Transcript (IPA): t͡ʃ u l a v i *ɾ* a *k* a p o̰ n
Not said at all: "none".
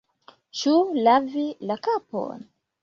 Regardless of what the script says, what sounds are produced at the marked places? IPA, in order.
l, k

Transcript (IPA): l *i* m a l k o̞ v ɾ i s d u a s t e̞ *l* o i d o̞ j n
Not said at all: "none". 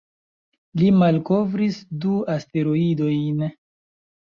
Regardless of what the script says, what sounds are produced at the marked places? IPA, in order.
i, ɾ

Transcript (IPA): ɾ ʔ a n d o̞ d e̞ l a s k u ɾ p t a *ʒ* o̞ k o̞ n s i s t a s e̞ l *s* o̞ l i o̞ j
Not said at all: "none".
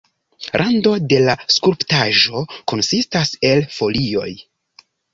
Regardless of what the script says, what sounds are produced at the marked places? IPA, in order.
ʒ, f

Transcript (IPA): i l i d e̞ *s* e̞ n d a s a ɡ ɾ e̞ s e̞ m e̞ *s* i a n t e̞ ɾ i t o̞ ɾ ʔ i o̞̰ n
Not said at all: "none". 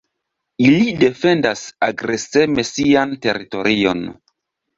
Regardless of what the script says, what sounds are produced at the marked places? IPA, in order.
f, s

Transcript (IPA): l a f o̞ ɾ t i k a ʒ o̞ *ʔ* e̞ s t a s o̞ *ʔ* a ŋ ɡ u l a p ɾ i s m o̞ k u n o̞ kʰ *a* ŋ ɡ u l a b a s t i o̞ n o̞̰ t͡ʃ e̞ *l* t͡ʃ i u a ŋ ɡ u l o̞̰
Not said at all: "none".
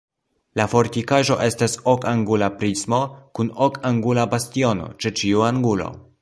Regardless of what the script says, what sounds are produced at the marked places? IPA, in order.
ʔ, k, a, none

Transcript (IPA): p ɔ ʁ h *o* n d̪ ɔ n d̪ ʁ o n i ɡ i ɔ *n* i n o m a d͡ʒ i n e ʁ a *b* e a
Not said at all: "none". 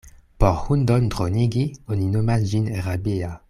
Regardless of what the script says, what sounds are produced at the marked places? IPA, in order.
u, n, b

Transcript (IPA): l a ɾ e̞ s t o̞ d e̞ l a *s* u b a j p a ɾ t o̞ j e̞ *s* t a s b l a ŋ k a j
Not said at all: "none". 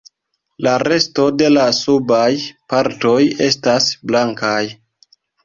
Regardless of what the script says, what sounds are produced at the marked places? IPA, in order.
s, s

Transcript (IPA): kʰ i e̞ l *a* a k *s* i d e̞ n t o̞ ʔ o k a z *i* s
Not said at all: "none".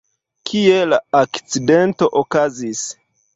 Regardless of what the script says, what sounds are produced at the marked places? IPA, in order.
a, t͡s, i

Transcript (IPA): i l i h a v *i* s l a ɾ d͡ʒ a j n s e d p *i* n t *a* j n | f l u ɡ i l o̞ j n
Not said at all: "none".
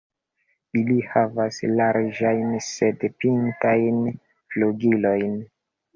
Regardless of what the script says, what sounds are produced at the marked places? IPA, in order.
a, i, a

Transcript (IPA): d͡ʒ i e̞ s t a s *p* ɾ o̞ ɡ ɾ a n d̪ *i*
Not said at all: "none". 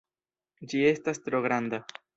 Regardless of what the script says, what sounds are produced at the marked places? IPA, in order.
t, a

